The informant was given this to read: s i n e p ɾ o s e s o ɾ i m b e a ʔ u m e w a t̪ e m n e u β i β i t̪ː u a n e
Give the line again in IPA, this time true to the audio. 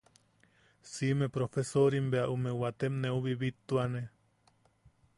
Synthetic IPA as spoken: s i m e p ɾ o f e s o ɾ i m b e a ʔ u m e w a t̪ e m n e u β i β i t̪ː u a n e